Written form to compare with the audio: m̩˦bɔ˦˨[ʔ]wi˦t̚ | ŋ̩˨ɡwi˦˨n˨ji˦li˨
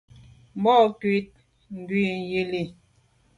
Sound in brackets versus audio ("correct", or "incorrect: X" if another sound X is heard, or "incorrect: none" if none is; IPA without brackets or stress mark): incorrect: k